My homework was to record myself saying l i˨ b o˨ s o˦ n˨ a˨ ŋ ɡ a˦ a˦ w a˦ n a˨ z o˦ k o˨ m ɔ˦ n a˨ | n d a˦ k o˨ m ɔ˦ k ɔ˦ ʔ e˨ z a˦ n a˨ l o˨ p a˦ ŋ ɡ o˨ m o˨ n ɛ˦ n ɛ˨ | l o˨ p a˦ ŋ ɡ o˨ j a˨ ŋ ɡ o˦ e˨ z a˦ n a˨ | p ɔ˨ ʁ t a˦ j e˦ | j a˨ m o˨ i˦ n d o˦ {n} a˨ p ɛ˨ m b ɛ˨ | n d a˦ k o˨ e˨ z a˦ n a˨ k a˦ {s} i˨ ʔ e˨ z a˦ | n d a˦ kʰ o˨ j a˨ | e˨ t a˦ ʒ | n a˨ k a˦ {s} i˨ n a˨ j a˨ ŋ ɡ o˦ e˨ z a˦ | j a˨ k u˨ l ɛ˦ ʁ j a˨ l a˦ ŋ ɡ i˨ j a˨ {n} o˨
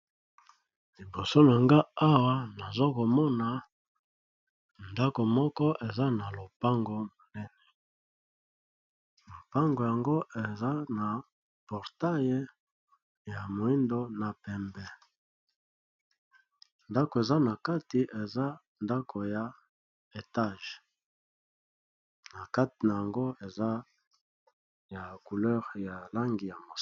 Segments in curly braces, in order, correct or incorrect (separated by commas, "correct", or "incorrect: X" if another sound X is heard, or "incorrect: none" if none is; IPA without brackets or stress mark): correct, incorrect: t, incorrect: t, incorrect: m